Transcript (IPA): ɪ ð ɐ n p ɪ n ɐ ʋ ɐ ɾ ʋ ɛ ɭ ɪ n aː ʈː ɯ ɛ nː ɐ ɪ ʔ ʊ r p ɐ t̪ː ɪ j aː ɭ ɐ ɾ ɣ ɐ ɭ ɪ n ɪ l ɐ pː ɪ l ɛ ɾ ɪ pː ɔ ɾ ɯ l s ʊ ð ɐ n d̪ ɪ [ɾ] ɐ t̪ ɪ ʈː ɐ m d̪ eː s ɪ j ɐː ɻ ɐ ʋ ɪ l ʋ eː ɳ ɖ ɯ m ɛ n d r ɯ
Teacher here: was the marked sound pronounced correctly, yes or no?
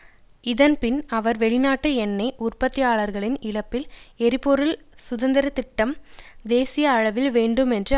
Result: yes